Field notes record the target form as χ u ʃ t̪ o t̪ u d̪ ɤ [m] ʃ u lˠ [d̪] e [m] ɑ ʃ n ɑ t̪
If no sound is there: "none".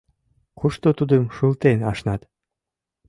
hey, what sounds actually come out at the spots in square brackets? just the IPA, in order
m, t̪, n

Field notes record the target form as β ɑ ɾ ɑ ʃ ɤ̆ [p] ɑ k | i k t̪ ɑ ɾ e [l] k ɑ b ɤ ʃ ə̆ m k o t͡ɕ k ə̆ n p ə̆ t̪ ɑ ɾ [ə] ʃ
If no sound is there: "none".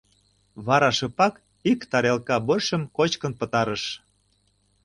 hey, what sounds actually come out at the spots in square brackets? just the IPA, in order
p, l, ə

